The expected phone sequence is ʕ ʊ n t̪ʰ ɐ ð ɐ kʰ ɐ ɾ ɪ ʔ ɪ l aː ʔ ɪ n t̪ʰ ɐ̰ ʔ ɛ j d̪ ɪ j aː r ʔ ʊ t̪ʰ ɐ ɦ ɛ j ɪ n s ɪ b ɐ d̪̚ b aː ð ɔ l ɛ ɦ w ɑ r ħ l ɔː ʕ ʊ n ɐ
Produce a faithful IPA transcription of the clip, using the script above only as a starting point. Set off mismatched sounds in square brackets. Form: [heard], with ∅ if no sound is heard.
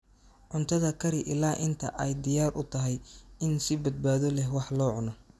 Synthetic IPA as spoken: ʕ ʊ n t̪ʰ ɐ ð ɐ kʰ ɐ ɾ ɪ ʔ ɪ l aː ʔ ɪ n t̪ʰ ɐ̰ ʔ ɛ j d̪ ɪ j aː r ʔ ʊ t̪ʰ ɐ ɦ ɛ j ɪ n s ɪ b ɐ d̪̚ b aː ð ɔ l ɛ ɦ w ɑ [∅] ħ l ɔː ʕ ʊ n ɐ